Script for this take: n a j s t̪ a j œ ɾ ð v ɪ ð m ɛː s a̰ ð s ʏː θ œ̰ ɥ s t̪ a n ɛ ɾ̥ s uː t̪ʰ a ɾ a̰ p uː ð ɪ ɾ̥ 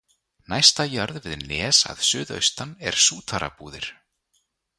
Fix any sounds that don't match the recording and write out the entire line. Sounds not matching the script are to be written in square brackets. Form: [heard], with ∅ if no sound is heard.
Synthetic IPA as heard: n a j s t̪ a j œ ɾ ð v ɪ ð [n] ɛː s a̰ ð s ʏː [ð] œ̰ ɥ s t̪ a n ɛ ɾ̥ s uː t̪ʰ a ɾ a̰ p uː ð ɪ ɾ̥